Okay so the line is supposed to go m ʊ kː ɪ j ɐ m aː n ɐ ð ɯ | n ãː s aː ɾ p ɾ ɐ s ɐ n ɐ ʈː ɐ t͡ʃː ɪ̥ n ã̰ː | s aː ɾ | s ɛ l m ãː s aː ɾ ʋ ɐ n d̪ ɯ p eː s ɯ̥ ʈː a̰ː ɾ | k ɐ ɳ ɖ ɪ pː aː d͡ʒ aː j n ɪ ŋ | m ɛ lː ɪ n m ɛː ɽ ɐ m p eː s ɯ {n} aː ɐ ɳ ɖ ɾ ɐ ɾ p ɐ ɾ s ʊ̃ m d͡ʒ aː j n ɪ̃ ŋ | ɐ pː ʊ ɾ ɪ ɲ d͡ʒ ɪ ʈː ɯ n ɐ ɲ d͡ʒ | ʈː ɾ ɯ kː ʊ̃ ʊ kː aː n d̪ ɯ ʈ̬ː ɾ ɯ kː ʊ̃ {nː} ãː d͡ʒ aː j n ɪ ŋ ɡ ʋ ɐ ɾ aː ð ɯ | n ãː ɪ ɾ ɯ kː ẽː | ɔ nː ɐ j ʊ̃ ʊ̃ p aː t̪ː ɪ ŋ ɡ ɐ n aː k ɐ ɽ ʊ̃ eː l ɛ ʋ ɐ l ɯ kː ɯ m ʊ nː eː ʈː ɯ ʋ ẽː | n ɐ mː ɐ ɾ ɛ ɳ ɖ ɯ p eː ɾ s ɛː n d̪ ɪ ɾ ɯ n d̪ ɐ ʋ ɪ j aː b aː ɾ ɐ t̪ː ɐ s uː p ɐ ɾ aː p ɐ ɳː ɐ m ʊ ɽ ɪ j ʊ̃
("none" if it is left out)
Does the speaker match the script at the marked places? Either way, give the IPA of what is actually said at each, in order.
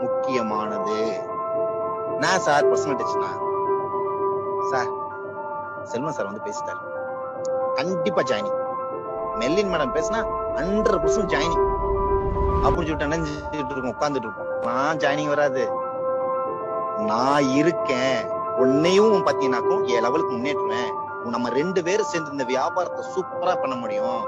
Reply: n, n

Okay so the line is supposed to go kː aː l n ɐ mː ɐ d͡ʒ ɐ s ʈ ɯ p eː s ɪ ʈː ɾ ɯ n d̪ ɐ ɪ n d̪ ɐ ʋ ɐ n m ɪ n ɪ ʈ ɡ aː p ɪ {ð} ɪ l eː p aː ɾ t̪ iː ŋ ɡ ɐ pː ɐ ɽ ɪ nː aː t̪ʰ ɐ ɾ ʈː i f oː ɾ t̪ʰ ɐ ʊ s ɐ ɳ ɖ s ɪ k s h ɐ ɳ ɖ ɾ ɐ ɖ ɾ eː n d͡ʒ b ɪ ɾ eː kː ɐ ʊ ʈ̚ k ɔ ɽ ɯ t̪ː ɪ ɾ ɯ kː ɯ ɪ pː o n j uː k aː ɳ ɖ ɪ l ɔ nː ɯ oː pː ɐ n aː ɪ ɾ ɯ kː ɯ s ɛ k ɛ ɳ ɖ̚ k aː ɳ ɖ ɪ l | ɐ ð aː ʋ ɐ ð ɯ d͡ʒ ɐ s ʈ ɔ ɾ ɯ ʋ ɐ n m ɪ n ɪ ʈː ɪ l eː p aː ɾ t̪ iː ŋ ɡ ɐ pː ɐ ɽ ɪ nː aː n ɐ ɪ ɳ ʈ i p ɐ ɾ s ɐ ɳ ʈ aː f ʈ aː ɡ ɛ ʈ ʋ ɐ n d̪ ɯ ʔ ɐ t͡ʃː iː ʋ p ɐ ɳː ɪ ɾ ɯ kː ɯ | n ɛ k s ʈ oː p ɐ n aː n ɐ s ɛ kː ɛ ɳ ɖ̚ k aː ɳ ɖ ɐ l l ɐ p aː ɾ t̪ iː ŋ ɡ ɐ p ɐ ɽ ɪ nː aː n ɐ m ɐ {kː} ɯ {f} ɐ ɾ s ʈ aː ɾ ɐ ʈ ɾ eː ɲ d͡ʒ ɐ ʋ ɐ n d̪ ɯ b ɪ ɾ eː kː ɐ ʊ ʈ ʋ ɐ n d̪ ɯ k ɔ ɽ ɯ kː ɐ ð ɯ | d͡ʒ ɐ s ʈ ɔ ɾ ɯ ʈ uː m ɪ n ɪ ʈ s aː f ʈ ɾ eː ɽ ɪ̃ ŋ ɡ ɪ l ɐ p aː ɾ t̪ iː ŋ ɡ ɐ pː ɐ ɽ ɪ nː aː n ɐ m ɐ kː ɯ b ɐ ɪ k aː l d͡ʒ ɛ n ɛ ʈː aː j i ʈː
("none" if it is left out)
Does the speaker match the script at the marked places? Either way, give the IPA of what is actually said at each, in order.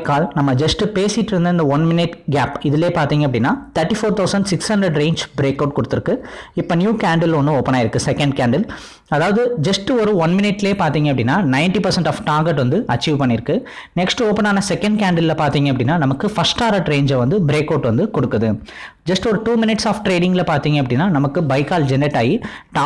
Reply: ð, kː, f

